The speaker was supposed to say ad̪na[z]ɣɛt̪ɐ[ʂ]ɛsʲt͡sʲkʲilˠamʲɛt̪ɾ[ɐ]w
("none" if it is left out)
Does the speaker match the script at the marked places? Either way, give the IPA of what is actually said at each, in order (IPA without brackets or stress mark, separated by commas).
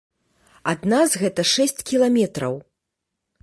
z, ʂ, ɐ